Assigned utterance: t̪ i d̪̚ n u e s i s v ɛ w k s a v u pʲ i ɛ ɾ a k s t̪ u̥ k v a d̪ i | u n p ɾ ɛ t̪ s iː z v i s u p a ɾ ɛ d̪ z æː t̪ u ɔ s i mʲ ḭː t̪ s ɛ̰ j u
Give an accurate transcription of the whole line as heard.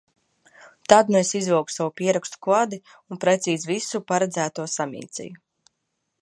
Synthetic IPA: t̪ a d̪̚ n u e s i z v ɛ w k s a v u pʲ i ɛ ɾ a k s t̪ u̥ k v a d̪ i | u n p ɾ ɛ t̪ s iː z v i s u p a ɾ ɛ d̪ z æː t̪ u ɔ s a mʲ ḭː t̪ s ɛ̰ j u